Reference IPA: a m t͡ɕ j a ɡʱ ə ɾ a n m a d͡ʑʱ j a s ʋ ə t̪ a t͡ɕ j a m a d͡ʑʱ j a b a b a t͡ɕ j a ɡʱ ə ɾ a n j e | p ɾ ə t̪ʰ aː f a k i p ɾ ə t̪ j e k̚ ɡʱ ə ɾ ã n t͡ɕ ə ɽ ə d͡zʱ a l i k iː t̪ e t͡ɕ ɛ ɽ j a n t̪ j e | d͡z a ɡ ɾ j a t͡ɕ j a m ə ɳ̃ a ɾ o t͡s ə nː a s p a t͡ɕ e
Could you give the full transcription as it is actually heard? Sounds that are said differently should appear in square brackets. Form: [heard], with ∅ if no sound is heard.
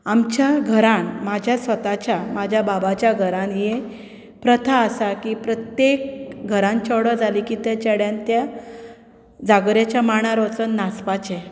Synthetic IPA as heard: a m t͡ɕ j a ɡʱ ə ɾ a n m a d͡ʑʱ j a s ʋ ə t̪ a t͡ɕ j a m a d͡ʑʱ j a b a b a t͡ɕ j a ɡʱ ə ɾ a n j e | p ɾ ə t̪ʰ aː [s] a k i p ɾ ə t̪ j e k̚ ɡʱ ə ɾ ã n t͡ɕ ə ɽ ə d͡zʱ a l i k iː t̪ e t͡ɕ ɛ ɽ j a n t̪ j [a] | d͡z a ɡ ɾ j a t͡ɕ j a m [a] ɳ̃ a ɾ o t͡s ə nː a s p a t͡ɕ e